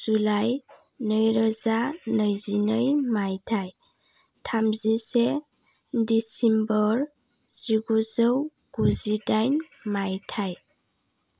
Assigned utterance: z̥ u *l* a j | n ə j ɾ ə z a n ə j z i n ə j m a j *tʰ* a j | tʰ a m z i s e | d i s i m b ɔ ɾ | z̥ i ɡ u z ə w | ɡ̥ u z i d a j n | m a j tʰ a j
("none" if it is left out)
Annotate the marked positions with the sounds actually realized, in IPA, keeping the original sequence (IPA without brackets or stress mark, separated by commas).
l, tʰ